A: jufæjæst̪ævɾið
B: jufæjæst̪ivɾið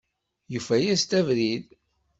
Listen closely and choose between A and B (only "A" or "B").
A